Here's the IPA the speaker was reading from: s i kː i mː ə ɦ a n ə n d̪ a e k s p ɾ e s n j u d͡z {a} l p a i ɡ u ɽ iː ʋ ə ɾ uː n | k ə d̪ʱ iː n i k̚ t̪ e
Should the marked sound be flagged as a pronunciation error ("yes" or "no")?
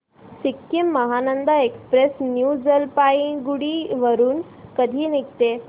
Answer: yes